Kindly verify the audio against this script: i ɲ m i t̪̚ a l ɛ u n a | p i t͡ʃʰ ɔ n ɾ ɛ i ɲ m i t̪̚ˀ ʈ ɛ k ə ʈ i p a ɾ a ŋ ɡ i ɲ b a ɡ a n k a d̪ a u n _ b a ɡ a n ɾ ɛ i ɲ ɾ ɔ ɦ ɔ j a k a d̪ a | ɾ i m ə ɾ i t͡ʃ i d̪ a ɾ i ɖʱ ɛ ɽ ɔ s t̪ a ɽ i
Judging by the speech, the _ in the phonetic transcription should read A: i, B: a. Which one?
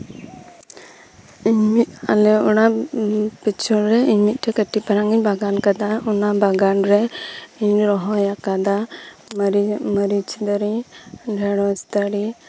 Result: B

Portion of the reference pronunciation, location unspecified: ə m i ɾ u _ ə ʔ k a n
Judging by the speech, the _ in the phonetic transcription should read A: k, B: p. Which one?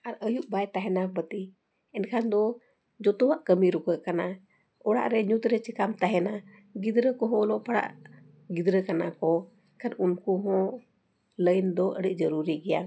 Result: A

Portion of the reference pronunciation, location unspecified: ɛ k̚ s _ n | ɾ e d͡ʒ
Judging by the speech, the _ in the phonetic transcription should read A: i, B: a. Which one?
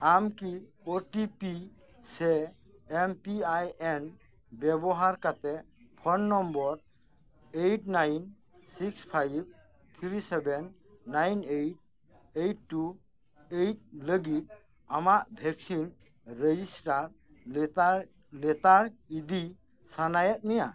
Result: A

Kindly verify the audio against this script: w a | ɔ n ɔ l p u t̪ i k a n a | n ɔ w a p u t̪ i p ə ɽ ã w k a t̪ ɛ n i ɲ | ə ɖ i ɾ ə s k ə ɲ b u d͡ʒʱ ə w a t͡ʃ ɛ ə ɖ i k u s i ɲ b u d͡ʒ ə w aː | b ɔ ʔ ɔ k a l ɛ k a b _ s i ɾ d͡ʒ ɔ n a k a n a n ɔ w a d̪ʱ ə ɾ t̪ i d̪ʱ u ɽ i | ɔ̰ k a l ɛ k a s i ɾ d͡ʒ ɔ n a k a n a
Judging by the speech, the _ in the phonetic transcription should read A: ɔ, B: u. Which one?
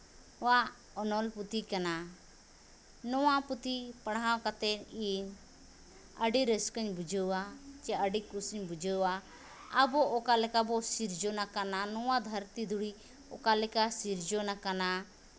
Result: A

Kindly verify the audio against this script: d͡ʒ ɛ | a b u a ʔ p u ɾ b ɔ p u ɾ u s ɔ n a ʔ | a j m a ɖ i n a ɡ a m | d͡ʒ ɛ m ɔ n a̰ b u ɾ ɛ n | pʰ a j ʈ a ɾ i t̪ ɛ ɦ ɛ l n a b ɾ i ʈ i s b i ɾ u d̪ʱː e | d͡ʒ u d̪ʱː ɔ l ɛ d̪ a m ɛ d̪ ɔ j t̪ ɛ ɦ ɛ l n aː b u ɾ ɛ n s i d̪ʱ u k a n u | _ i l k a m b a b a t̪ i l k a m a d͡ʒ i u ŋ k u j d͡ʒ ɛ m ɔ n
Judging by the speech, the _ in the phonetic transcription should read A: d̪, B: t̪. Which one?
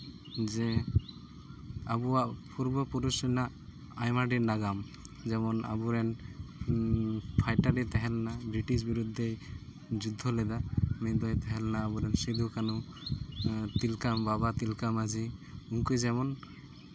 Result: B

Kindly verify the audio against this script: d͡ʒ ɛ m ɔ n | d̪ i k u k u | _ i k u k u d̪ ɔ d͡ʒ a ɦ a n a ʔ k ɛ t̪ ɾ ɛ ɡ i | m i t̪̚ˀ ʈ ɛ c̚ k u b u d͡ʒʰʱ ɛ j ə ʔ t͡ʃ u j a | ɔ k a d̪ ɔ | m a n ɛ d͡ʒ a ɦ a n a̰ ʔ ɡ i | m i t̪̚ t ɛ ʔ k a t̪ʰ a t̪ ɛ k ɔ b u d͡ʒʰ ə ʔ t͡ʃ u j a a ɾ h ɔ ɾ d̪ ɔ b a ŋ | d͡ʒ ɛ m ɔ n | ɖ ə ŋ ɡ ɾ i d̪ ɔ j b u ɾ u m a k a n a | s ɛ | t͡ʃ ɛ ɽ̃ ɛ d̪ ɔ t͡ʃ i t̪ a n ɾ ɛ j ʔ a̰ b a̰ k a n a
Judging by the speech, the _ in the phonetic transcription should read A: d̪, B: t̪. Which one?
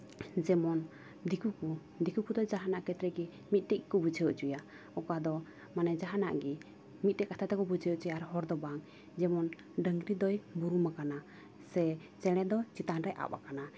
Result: A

